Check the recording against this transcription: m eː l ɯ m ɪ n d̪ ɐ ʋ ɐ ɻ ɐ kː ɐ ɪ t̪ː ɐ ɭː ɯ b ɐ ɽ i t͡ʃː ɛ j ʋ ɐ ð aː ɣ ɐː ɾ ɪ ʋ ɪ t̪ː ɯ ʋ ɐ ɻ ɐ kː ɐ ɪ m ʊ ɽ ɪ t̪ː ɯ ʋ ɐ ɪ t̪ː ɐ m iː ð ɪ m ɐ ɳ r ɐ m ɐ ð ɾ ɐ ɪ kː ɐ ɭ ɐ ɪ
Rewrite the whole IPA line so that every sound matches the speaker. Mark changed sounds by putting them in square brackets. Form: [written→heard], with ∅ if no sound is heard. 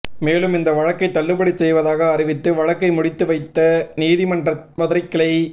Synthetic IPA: m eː l ɯ m ɪ n d̪ ɐ ʋ ɐ ɻ ɐ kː ɐ ɪ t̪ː ɐ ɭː ɯ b ɐ ɽ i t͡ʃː ɛ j ʋ ɐ ð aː ɣ ɐː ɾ ɪ ʋ ɪ t̪ː ɯ ʋ ɐ ɻ ɐ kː ɐ ɪ m ʊ ɽ ɪ t̪ː ɯ ʋ ɐ ɪ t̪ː ɐ [m→n] iː ð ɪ m ɐ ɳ r ɐ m ɐ ð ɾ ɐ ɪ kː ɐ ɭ ɐ ɪ

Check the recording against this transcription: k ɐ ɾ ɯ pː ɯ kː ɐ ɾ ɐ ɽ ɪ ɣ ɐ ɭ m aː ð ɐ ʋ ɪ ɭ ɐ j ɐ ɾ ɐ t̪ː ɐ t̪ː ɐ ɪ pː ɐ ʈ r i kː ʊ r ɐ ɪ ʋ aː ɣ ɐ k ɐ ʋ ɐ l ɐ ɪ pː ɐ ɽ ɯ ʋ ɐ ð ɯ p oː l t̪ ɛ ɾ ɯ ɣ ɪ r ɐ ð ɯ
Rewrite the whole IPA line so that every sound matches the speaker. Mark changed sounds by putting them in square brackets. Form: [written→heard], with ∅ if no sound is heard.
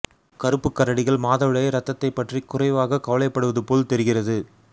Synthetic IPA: k ɐ ɾ ɯ pː ɯ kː ɐ ɾ ɐ ɽ ɪ ɣ ɐ ɭ m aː ð ɐ ʋ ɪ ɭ ɐ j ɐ ɾ ɐ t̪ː ɐ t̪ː ɐ ɪ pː ɐ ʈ r i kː ʊ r ɐ ɪ ʋ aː ɣ ɐ k ɐ ʋ ɐ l ɐ ɪ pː ɐ ɽ ɯ ʋ ɐ ð ɯ p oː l t̪ ɛ ɾ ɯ ɣ ɪ r ɐ ð ɯ

